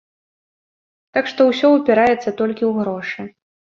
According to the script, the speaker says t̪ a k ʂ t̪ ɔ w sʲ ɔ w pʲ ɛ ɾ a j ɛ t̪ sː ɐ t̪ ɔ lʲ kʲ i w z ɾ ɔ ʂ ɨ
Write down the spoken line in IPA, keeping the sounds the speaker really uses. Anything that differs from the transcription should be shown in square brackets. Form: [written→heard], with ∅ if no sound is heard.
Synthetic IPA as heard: t̪ a k ʂ t̪ ɔ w sʲ ɔ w pʲ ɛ ɾ a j ɛ t̪ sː ɐ t̪ ɔ lʲ kʲ i w [z→ɣ] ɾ ɔ ʂ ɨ